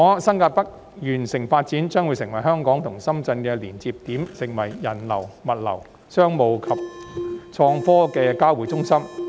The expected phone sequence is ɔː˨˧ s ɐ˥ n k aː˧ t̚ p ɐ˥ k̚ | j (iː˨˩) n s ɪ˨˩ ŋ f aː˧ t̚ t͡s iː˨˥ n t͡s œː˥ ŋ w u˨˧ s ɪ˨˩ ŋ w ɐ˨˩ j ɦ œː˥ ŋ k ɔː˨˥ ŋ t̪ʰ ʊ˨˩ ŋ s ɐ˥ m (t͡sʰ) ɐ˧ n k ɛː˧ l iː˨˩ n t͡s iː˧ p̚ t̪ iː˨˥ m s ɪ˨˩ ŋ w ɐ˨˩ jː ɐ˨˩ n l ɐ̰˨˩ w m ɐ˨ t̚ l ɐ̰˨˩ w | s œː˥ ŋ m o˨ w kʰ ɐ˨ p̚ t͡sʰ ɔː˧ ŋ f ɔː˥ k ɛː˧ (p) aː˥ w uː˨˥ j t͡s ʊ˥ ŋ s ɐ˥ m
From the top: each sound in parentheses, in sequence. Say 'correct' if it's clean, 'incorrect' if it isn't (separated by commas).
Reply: incorrect, incorrect, incorrect